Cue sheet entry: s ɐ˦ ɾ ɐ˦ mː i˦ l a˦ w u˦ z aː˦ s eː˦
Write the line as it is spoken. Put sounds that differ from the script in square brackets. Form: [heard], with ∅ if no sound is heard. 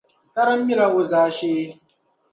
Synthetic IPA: [t] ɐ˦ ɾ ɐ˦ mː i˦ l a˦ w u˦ z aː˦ [ʃ] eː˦